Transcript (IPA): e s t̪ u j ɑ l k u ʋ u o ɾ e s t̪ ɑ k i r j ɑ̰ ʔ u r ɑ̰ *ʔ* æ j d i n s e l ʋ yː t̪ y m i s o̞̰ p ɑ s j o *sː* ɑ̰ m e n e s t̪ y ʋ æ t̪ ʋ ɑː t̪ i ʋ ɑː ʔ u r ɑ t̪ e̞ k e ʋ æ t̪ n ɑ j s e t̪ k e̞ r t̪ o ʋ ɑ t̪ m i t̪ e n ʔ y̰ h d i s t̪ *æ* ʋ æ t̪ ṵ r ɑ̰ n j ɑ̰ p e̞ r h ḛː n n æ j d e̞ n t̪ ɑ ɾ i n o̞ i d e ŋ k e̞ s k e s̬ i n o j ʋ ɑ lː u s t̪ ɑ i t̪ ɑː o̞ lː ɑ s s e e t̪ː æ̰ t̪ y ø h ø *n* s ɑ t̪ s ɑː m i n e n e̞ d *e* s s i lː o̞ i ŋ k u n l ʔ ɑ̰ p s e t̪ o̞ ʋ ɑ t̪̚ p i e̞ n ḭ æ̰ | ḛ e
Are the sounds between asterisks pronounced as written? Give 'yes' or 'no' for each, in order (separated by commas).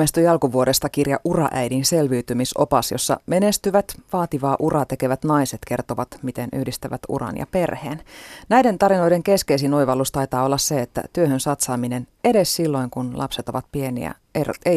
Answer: yes, yes, yes, yes, yes